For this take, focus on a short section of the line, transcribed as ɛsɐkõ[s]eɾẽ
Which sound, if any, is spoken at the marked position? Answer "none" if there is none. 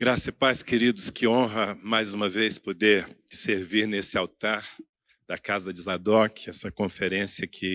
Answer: f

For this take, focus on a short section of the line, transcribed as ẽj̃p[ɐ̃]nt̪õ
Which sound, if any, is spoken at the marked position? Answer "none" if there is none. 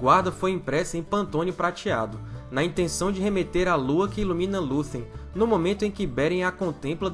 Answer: ɐ̃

